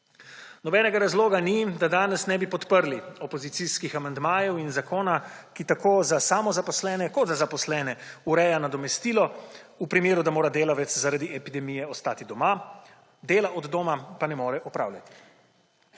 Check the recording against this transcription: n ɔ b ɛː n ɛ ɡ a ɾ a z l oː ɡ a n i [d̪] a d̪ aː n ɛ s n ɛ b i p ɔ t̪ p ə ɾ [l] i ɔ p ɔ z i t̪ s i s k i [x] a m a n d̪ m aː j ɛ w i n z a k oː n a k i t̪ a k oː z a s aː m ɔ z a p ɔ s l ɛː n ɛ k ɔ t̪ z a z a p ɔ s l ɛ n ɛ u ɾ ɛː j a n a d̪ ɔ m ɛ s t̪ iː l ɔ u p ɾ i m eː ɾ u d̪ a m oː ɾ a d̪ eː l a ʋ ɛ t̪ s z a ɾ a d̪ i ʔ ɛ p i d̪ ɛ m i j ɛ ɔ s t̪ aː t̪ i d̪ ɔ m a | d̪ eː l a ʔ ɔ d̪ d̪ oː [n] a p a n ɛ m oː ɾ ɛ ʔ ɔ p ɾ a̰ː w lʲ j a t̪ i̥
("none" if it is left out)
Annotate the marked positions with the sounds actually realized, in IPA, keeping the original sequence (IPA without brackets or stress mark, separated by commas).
d̪, l, x, m